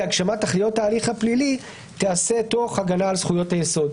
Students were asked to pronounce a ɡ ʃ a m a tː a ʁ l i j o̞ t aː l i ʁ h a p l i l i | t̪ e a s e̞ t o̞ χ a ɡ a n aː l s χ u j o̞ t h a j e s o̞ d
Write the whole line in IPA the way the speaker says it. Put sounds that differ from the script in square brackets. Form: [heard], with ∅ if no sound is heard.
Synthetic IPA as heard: a ɡ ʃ a m a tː a [χ] l i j o̞ t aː l i [χ] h a p l i l i | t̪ e a s e̞ t o̞ χ a ɡ a n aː l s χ u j o̞ t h a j e s o̞ d